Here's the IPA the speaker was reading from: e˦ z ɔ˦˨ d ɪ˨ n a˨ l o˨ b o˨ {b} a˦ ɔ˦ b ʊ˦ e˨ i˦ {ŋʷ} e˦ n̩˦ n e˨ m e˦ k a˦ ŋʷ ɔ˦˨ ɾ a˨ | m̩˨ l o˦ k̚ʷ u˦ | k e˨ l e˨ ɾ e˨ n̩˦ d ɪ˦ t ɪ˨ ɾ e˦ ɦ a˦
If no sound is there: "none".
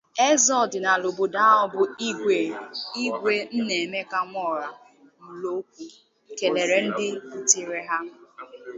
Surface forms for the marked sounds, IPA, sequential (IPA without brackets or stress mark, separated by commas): d, ɡʷ